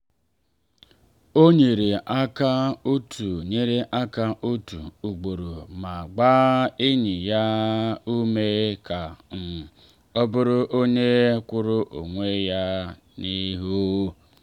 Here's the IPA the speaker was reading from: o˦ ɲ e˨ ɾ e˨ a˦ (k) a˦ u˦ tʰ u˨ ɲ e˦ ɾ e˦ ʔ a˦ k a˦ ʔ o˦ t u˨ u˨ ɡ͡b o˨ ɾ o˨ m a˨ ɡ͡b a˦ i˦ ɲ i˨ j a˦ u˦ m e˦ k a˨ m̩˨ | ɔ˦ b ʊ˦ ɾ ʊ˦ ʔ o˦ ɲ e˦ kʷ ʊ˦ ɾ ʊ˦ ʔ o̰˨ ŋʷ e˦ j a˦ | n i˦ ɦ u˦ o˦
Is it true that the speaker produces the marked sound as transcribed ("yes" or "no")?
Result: yes